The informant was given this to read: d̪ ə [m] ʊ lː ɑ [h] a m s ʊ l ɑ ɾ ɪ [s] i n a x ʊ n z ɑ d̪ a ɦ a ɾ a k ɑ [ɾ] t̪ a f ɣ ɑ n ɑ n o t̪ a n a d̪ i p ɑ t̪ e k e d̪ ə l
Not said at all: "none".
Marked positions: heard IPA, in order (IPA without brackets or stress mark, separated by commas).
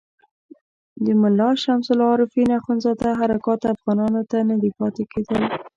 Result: m, ʃ, f, none